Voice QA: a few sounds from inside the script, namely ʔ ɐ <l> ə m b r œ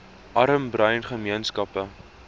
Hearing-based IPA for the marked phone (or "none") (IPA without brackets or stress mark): ɾ